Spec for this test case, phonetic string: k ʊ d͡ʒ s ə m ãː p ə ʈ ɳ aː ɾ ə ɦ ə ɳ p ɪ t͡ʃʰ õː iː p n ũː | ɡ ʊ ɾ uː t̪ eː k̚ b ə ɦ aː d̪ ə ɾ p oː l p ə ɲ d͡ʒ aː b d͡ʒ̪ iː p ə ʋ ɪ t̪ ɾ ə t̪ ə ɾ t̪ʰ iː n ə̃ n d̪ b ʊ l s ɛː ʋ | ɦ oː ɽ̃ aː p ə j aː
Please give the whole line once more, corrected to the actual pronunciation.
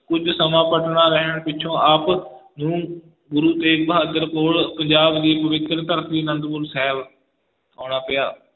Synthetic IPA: k ʊ d͡ʒ s ə m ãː p ə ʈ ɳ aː ɾ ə ɦ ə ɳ p ɪ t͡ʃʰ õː aː p n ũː | ɡ ʊ ɾ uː t̪ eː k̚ b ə ɦ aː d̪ ə ɾ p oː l p ə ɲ d͡ʒ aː b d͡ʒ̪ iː p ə ʋ ɪ t̪ ɾ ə t̪ ə ɾ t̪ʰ iː n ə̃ n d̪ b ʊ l s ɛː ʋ | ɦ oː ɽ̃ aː p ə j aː